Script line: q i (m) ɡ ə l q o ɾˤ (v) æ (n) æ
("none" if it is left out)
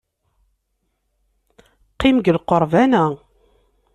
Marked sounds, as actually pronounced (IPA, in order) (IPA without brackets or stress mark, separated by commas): m, v, n